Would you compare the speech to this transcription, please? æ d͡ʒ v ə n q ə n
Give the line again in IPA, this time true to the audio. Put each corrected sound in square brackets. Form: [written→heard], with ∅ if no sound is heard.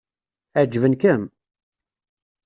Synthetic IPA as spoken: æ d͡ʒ v ə n [q→k] ə [n→m]